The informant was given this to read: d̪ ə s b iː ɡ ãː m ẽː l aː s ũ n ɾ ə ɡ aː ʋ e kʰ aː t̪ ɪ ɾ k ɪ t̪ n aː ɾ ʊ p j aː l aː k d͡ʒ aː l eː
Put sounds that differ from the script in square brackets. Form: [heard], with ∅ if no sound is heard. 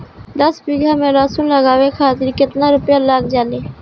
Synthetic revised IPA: d̪ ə s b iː ɡ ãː m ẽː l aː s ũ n [l] ə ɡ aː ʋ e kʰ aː t̪ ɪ ɾ k ɪ t̪ n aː ɾ ʊ p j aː l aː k d͡ʒ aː l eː